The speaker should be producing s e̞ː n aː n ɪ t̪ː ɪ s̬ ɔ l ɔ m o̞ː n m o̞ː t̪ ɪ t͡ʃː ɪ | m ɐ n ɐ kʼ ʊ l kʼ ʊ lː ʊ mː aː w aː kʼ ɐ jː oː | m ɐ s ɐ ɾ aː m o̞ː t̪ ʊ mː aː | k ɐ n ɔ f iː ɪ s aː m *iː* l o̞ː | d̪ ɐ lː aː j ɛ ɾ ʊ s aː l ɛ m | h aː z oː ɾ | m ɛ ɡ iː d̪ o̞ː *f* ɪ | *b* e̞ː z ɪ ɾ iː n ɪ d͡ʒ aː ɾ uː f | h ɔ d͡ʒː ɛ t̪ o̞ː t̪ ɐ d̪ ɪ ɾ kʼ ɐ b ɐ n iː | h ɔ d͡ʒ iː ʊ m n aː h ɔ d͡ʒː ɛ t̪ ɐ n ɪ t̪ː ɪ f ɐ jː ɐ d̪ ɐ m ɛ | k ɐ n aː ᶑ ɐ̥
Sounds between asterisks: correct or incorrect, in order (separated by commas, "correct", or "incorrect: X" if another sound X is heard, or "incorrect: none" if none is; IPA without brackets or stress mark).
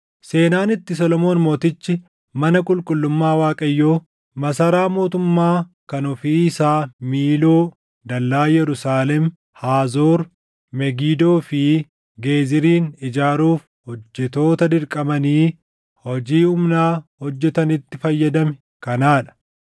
correct, correct, incorrect: ɡ